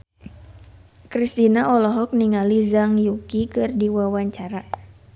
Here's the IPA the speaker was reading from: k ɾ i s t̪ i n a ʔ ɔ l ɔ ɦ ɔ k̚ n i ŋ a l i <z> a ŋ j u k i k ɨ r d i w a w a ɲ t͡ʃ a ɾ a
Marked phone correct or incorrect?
correct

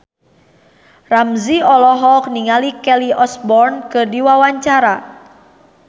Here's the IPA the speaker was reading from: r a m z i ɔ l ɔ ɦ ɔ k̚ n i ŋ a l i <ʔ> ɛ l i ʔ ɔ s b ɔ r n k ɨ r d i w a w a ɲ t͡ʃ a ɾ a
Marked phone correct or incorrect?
incorrect: k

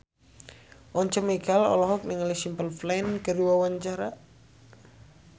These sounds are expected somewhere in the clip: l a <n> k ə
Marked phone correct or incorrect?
correct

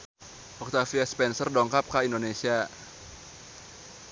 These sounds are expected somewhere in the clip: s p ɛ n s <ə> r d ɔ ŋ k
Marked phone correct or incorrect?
correct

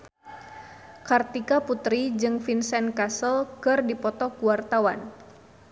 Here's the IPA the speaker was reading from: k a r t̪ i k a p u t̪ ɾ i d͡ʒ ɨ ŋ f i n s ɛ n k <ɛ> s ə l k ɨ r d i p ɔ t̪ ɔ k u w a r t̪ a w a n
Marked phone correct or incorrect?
incorrect: a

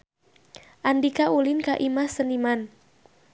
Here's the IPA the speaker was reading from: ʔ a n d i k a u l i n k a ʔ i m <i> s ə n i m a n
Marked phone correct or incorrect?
incorrect: a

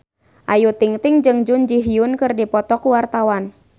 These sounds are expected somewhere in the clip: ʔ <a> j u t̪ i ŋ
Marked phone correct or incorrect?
correct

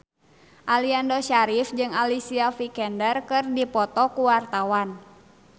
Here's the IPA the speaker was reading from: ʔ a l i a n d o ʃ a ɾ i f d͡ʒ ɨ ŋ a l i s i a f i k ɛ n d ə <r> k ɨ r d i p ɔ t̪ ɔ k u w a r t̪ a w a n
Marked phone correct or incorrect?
correct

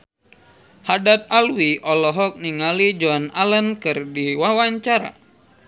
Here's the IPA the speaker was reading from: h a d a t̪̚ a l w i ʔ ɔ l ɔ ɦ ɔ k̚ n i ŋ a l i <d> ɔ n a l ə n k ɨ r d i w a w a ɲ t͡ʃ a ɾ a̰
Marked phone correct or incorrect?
incorrect: d͡ʒ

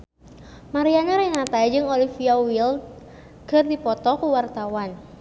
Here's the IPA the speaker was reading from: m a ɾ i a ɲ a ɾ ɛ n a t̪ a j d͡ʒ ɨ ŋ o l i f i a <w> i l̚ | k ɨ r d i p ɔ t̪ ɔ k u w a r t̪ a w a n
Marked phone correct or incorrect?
correct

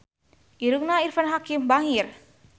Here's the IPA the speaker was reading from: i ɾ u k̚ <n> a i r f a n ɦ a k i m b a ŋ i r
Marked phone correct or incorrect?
correct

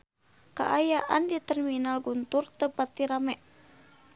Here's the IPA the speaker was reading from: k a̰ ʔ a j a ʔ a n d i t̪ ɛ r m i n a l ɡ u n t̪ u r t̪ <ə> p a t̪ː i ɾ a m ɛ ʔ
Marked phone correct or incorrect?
correct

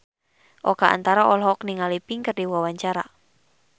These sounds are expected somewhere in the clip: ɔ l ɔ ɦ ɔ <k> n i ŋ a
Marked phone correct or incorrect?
correct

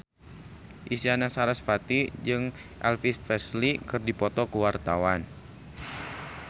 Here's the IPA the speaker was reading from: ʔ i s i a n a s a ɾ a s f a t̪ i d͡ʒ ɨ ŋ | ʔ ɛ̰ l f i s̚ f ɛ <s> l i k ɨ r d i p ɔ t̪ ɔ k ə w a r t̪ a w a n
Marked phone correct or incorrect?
correct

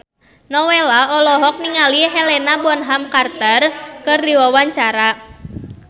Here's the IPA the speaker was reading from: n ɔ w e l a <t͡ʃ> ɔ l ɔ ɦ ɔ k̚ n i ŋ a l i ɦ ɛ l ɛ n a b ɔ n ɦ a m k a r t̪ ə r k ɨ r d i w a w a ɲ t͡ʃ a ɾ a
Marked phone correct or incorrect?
incorrect: none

